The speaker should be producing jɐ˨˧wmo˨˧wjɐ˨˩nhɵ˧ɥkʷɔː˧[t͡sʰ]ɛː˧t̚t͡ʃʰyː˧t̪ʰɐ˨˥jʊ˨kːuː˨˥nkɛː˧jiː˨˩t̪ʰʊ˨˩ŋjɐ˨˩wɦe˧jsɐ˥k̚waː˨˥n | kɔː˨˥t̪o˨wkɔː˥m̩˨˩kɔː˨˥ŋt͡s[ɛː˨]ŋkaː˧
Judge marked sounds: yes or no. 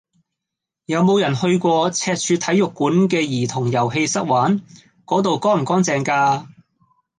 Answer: yes, yes

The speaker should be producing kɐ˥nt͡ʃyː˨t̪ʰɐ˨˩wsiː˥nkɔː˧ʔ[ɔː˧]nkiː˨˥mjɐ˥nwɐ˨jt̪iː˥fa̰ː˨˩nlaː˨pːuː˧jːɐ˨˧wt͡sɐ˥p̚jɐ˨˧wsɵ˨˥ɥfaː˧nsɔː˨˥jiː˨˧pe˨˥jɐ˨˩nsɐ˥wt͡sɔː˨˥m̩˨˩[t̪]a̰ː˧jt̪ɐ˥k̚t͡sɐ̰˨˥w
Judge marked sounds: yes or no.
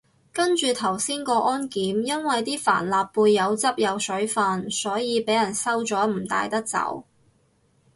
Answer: no, yes

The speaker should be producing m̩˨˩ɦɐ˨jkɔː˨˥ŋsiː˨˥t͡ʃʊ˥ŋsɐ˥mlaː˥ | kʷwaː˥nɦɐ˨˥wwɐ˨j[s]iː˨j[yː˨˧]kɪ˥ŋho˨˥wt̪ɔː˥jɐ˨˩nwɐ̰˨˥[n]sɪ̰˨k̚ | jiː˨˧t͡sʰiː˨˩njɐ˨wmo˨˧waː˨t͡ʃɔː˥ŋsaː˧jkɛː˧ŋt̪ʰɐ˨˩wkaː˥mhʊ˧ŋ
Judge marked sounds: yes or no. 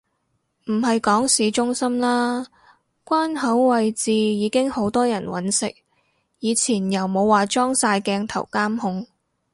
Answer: no, no, yes

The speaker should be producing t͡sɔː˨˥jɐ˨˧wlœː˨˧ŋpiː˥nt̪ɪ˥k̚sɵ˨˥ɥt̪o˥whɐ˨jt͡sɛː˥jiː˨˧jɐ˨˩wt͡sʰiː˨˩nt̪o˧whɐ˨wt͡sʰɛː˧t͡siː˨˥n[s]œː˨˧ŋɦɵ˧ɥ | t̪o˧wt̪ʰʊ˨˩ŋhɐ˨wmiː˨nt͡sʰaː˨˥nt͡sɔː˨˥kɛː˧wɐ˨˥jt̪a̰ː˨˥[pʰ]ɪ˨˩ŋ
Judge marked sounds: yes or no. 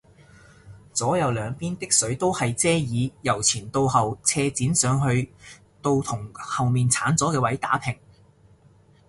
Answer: yes, yes

